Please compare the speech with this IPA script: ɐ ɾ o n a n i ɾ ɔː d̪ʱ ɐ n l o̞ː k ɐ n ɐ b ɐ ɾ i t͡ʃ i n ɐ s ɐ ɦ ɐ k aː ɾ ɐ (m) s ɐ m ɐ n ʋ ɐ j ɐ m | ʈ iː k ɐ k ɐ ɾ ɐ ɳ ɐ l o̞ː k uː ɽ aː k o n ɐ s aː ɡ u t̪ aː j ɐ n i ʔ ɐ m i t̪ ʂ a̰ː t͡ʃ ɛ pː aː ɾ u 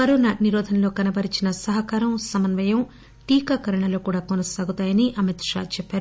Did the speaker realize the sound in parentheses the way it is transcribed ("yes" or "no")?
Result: yes